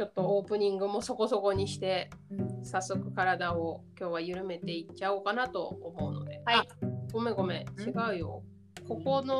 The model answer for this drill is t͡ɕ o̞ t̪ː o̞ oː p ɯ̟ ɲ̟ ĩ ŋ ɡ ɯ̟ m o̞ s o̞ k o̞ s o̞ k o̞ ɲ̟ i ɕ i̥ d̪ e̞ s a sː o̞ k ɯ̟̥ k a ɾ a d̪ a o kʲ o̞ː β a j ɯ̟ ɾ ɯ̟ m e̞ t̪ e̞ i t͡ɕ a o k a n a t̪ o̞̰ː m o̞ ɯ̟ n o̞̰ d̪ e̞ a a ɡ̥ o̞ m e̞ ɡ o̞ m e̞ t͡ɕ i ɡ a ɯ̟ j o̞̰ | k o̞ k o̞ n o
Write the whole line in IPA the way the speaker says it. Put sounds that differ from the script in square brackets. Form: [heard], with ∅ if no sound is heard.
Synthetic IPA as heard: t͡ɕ o̞ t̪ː o̞ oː p ɯ̟ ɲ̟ ĩ ŋ ɡ ɯ̟ m o̞ s o̞ k o̞ s o̞ k o̞ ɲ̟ i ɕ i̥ [t̪] e̞ s a sː o̞ k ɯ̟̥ k a ɾ a d̪ a o kʲ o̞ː β a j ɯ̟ ɾ ɯ̟ m e̞ t̪ e̞ i t͡ɕ a o k a n a t̪ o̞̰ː m o̞ ɯ̟ n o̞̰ d̪ e̞ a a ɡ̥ o̞ m e̞ ɡ o̞ m e̞ t͡ɕ i ɡ a ɯ̟ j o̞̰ | k o̞ k o̞ n o